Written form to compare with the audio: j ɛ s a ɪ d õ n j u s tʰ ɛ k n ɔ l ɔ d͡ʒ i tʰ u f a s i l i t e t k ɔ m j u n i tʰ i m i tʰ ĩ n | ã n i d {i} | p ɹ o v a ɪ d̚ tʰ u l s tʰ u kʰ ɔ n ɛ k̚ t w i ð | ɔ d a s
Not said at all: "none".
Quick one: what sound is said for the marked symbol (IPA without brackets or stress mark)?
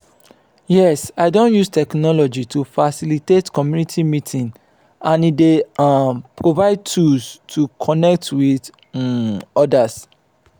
e